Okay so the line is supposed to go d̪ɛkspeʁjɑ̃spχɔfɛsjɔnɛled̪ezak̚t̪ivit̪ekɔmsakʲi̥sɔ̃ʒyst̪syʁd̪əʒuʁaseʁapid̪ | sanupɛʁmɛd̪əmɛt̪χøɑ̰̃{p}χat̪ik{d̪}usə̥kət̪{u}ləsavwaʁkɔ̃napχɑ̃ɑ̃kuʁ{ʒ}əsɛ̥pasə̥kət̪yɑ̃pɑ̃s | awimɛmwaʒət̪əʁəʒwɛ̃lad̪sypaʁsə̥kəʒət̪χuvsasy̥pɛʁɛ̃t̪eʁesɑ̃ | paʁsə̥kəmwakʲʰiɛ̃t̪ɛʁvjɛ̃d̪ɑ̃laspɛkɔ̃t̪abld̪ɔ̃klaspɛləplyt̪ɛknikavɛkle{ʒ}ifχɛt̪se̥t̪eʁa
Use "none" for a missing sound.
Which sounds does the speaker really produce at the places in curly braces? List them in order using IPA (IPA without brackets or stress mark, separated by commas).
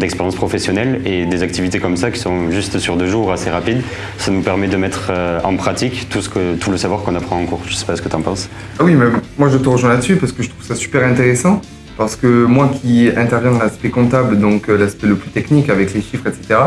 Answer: p, t̪, u, ʒ, ʃ